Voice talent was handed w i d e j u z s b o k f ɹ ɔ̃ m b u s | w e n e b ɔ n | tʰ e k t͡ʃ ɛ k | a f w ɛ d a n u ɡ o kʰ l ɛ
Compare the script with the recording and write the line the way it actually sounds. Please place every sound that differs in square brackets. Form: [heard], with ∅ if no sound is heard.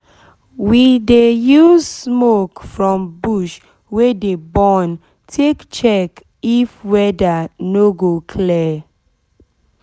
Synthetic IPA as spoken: w i d e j u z s [m] o k f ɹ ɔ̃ m b u [ʃ] | w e [d] e b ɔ n | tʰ e k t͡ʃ ɛ k | [i] f w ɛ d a n [o] ɡ o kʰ l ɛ